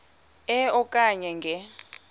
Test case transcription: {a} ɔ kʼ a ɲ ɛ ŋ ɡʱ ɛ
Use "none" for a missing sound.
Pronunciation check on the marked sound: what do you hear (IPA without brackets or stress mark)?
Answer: ɛ